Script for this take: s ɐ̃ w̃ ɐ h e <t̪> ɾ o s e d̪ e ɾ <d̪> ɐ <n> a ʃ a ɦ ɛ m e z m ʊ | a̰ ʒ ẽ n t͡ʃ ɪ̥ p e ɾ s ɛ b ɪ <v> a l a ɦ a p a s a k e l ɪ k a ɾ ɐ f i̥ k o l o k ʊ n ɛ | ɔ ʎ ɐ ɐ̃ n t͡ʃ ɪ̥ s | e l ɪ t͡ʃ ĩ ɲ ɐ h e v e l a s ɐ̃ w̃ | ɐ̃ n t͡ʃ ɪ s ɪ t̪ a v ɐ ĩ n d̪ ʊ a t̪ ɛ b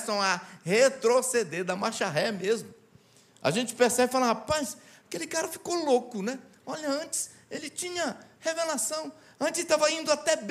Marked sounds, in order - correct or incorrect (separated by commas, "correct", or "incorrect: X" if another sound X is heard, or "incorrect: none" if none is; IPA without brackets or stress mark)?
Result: correct, correct, incorrect: m, incorrect: f